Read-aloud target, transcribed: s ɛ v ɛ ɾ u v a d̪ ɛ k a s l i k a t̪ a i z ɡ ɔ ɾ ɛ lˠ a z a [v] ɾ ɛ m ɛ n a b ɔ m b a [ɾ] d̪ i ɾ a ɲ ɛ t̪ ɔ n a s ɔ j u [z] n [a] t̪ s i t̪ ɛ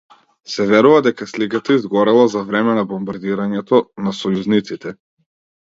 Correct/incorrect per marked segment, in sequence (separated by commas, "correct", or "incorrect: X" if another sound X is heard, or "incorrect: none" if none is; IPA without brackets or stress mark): correct, correct, correct, incorrect: i